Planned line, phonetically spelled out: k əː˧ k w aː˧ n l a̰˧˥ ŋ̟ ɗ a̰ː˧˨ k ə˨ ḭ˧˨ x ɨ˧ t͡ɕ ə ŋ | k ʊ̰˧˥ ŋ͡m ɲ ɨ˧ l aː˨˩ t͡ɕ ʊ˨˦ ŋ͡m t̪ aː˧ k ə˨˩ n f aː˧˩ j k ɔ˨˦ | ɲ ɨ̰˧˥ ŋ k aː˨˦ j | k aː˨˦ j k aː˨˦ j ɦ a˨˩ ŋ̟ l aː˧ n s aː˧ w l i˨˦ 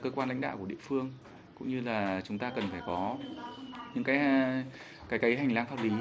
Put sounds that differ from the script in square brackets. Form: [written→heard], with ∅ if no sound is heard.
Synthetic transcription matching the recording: k əː˧ k w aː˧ n l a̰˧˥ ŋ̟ ɗ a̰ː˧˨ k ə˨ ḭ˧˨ [x→f] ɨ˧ [t͡ɕ→∅] ə ŋ | k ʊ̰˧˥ ŋ͡m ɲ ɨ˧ l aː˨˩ t͡ɕ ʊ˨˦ ŋ͡m t̪ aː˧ k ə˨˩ n f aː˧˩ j k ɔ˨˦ | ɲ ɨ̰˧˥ ŋ k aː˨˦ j | k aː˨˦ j k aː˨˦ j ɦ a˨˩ ŋ̟ l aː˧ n [s→f] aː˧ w l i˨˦